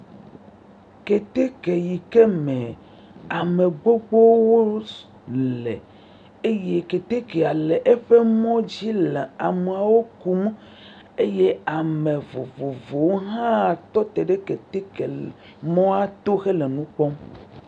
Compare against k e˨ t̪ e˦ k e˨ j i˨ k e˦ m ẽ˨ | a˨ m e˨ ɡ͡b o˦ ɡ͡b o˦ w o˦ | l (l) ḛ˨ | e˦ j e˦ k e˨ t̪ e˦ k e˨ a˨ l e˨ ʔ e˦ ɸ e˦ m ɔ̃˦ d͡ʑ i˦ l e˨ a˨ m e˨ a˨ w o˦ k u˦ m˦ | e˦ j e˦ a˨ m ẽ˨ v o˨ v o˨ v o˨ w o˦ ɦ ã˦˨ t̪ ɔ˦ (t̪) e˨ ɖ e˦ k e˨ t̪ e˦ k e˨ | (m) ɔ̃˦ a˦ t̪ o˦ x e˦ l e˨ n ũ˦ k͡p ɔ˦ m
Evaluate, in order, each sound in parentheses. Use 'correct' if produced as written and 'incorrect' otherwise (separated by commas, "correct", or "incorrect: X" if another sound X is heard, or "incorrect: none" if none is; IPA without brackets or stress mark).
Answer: correct, correct, correct